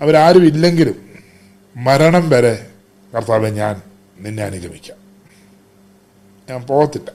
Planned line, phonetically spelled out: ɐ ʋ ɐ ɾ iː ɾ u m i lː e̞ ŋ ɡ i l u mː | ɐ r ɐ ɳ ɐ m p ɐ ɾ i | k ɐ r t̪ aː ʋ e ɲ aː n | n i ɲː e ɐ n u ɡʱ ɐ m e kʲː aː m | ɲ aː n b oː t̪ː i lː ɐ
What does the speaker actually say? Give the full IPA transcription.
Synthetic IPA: ɐ ʋ ɐ ɾ aː ɾ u m i lː e̞ ŋ ɡ i l u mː | ɐ ɾ ɐ ɳ ɐ m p ɐ ɾ e | k ɐ r t̪ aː ʋ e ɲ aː n | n i nː e ɐ n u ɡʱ ɐ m i kʲː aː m | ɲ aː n p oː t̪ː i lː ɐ